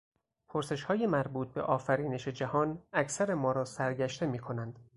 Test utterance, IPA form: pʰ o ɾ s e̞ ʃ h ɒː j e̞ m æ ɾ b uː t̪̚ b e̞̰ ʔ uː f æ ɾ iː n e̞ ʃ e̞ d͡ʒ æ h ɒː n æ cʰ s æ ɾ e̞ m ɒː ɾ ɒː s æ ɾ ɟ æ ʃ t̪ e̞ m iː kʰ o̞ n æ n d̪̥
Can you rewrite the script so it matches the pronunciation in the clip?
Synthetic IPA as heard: pʰ o ɾ s e̞ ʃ h ɒː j e̞ m æ ɾ b uː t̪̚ b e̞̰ ʔ ɒː f æ ɾ iː n e̞ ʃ e̞ d͡ʒ æ h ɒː n æ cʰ s æ ɾ e̞ m ɒː ɾ ɒː s æ ɾ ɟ æ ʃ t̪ e̞ m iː kʰ o̞ n æ n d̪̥